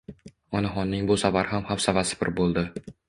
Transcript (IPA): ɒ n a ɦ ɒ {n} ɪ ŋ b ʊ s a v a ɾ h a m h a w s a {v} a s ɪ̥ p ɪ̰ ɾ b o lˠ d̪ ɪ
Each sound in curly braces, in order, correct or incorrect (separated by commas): incorrect, correct